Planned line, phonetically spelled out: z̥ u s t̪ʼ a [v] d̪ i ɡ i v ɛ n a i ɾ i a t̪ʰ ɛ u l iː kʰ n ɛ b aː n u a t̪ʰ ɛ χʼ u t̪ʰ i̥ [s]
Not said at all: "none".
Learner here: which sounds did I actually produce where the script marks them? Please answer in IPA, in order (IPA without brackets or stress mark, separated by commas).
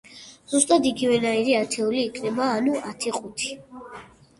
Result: none, none